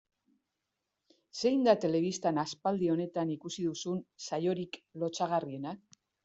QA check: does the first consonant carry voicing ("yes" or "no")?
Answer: no